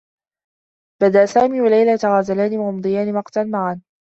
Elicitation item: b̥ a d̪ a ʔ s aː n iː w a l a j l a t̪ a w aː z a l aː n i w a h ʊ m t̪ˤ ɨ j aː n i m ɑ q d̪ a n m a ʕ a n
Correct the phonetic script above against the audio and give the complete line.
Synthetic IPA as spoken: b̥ a d̪ a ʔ s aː m iː w a l a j l a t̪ a ɣ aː z a l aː n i w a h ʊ m d̪ˤ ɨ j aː n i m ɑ q t̪ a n m a ʕ a n